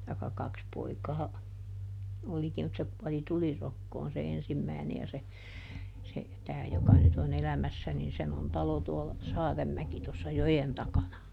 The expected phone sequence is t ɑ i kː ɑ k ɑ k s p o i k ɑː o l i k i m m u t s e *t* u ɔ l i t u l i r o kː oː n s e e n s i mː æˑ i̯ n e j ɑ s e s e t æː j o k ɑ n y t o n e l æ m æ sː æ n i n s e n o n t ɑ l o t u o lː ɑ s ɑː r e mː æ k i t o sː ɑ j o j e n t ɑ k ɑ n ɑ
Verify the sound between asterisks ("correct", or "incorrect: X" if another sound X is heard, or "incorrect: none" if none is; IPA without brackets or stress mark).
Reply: incorrect: k